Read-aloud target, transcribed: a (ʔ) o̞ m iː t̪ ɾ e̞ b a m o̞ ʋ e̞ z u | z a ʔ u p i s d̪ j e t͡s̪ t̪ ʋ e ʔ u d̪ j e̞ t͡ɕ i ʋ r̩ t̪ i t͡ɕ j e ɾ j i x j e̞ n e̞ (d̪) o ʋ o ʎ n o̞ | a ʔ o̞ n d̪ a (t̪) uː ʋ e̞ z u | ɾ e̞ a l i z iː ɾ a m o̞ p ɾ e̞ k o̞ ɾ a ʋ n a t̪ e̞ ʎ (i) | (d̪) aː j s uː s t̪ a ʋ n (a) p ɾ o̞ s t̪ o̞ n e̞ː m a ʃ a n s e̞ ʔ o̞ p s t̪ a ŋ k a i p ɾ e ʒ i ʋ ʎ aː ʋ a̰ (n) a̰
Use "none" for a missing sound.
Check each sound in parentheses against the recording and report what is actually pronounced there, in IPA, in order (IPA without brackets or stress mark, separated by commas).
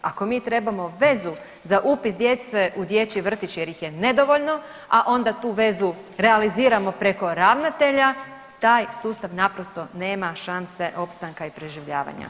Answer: k, d̪, t̪, a, t̪, a, ɲ